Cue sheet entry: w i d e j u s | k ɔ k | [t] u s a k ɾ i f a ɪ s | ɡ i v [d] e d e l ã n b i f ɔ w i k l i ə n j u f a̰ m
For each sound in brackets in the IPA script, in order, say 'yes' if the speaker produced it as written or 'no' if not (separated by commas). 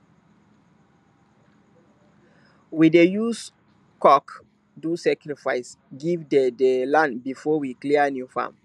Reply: no, yes